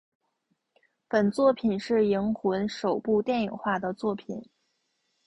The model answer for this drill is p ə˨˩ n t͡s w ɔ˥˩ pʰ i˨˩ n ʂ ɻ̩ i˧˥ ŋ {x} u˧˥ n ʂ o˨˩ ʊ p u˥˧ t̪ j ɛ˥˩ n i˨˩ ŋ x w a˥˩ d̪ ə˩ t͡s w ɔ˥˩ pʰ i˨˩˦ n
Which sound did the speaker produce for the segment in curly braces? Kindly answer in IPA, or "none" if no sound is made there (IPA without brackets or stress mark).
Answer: x